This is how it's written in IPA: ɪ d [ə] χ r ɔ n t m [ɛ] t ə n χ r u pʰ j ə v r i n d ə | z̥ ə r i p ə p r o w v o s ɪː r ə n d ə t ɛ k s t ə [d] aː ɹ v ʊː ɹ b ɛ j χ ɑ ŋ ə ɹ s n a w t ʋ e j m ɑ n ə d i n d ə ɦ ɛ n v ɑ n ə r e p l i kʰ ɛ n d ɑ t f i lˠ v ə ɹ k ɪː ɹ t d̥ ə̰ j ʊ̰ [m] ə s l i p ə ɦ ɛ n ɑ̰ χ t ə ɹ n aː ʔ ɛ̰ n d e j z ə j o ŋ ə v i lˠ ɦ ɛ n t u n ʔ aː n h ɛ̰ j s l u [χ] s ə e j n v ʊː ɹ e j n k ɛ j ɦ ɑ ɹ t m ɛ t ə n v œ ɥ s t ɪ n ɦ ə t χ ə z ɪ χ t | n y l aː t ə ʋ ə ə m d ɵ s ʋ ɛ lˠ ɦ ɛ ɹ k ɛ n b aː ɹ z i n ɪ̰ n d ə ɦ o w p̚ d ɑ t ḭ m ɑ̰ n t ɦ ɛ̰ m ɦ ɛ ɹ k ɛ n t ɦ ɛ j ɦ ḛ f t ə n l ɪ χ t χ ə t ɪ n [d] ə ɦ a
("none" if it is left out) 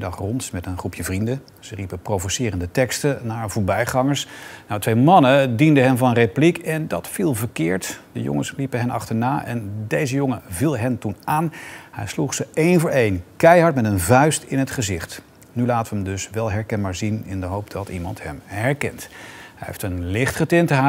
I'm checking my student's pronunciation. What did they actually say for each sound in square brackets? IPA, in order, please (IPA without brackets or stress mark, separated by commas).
ɑ, ɛ, n, ŋ, χ, t